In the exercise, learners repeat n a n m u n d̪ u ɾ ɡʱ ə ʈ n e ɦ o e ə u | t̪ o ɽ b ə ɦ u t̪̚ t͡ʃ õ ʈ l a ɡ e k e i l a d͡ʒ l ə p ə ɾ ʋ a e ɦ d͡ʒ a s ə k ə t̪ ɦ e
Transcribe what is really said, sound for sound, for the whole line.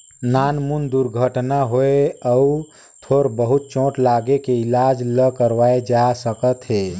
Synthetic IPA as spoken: n a n m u n d̪ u ɾ ɡʱ ə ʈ n a ɦ o e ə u | t̪ʰ o ɾ b ə ɦ u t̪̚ t͡ʃ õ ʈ l a ɡ e k e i l a d͡ʒ l ə k ə ɾ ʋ a e d͡ʒ a s ə k ə t̪ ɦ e